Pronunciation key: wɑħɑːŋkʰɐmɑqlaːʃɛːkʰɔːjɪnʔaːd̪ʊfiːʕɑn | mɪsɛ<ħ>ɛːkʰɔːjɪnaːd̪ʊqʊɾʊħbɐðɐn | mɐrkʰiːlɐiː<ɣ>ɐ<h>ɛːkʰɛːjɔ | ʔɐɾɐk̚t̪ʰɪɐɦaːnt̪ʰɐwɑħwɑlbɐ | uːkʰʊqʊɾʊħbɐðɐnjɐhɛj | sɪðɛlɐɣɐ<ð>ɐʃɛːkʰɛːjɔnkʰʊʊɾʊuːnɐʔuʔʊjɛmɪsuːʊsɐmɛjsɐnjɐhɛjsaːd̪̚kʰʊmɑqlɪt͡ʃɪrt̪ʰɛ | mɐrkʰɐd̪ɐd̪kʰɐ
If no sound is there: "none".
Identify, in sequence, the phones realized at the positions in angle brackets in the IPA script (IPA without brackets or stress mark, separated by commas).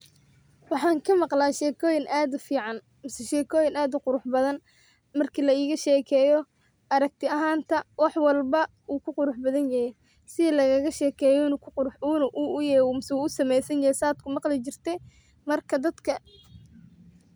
ʃ, ɣ, ʃ, ɣ